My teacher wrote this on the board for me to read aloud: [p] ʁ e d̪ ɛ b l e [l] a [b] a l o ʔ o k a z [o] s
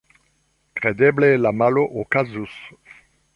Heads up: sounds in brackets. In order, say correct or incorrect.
incorrect: k, correct, incorrect: m, incorrect: u

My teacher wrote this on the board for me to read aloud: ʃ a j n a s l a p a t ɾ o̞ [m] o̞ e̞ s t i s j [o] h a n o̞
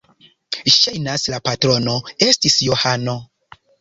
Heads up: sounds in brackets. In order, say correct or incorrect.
incorrect: n, correct

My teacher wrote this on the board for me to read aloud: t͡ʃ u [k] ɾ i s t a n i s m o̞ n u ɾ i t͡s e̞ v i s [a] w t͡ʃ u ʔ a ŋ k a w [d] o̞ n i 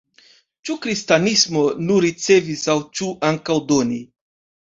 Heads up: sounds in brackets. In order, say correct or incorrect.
correct, correct, correct

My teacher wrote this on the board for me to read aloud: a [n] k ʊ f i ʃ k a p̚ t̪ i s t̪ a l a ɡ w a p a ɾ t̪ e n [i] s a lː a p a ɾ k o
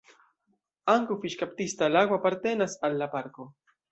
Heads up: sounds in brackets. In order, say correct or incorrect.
incorrect: ŋ, incorrect: a

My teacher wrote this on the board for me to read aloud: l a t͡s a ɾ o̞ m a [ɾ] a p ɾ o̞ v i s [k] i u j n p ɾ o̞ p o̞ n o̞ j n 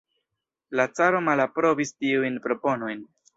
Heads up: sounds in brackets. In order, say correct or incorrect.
incorrect: l, incorrect: t

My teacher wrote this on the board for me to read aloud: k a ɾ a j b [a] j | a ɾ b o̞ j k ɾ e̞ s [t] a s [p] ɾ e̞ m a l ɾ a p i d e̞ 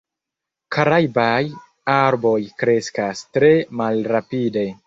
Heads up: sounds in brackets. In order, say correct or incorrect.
correct, incorrect: k, incorrect: t

